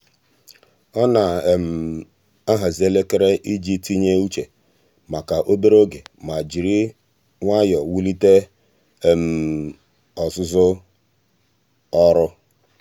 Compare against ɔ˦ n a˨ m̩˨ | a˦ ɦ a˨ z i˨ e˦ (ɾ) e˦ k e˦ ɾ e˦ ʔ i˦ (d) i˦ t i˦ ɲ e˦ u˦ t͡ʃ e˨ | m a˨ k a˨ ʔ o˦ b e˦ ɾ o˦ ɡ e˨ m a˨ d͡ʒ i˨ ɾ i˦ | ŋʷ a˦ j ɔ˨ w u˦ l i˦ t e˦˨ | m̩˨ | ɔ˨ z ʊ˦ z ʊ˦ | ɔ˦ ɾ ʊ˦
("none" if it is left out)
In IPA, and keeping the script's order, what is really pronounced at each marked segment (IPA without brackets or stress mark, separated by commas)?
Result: l, d͡ʒ